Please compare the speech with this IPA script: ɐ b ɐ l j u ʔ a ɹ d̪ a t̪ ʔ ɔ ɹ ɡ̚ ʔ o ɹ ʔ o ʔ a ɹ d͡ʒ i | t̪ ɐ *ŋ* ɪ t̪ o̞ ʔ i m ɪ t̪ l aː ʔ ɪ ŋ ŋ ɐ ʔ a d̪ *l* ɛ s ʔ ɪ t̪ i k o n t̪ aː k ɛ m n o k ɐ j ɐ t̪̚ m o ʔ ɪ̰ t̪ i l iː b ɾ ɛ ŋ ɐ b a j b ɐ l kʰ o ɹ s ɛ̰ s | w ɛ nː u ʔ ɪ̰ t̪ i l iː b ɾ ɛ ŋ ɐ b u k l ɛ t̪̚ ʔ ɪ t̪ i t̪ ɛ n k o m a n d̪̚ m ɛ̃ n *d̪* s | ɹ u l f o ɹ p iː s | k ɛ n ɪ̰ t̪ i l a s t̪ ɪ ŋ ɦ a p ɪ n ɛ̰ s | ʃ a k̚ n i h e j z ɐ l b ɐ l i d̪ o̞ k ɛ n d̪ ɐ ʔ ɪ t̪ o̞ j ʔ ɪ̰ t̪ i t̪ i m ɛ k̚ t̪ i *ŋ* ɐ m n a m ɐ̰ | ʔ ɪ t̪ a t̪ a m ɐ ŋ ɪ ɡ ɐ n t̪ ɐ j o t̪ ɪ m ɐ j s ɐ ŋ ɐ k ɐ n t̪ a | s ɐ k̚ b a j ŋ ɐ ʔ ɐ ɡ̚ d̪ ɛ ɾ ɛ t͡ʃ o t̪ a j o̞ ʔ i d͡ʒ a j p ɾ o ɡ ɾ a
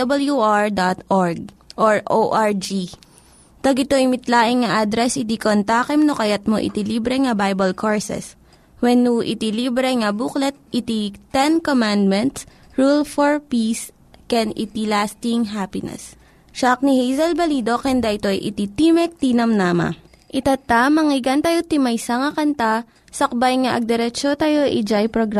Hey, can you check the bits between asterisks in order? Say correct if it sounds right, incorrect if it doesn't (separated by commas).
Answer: incorrect, incorrect, incorrect, incorrect